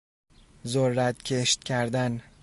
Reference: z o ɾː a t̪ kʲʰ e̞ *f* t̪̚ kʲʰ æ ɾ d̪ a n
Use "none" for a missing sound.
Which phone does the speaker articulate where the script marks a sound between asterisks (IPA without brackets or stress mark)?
ʃ